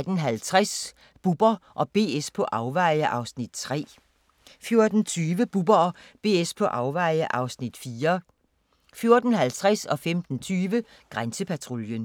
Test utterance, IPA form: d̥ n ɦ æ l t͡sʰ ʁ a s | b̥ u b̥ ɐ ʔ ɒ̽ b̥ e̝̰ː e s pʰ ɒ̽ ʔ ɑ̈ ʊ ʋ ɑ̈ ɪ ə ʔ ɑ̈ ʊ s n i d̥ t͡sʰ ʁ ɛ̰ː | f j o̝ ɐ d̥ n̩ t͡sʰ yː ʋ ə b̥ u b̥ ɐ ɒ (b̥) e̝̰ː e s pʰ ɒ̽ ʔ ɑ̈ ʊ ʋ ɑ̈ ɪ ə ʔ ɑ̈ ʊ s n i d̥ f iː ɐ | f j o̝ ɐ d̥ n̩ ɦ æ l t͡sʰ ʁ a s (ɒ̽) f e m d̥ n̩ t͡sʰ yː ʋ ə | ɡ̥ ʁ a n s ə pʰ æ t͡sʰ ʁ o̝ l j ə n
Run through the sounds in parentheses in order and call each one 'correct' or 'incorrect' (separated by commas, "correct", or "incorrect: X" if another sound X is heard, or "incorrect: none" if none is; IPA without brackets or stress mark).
correct, correct